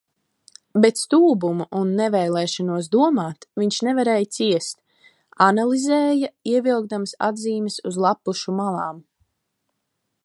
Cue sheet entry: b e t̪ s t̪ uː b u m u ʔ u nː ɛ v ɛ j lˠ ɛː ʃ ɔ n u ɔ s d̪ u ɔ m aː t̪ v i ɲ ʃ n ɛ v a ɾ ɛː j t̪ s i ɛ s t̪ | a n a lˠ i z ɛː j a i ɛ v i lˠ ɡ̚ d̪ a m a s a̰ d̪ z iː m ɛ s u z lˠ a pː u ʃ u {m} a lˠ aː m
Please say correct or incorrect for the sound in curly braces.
correct